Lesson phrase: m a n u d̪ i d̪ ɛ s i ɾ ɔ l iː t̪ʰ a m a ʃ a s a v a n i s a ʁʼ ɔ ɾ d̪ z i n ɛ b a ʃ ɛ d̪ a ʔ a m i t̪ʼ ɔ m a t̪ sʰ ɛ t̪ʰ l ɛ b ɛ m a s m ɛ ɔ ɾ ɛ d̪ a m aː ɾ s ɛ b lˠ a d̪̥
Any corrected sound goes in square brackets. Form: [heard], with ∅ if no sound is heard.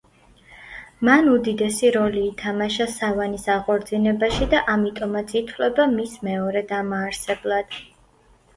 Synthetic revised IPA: m a n u d̪ i d̪ ɛ s i ɾ ɔ l iː t̪ʰ a m a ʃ a s a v a n i s a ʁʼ ɔ ɾ d̪ z i n ɛ b a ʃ [i] d̪ a ʔ a m i t̪ʼ ɔ m a t̪ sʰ [i] t̪ʰ l ɛ b [a] m [i] s m ɛ ɔ ɾ ɛ d̪ a m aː ɾ s ɛ b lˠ a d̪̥